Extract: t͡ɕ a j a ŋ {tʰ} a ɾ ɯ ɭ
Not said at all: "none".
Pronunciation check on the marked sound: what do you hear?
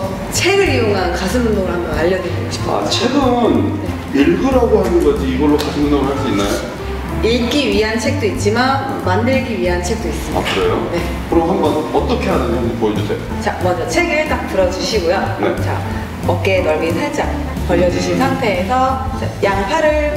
pʰ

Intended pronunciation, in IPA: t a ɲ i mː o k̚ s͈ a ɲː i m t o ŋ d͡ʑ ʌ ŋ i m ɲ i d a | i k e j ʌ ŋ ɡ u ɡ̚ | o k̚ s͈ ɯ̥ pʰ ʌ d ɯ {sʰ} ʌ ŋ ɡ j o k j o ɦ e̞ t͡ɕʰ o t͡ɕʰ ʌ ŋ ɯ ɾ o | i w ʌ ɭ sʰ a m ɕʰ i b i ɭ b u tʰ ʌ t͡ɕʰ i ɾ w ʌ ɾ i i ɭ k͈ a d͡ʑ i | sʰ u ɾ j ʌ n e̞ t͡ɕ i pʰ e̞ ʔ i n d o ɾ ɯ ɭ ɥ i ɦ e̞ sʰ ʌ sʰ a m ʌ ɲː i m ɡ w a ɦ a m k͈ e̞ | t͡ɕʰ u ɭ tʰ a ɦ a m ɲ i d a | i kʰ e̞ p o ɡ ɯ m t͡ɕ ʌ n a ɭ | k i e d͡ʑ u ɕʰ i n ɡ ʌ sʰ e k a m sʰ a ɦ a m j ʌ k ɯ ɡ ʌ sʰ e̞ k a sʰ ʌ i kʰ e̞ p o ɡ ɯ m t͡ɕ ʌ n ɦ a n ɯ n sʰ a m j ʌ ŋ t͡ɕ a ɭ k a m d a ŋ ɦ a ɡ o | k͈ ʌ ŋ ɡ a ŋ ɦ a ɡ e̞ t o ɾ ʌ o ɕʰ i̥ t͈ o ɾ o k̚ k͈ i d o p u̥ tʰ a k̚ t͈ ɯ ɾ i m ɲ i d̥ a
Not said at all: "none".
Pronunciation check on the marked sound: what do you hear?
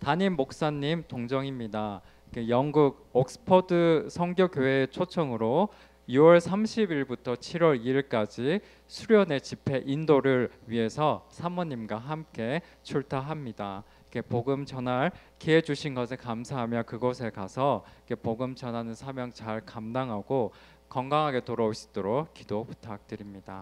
sʰ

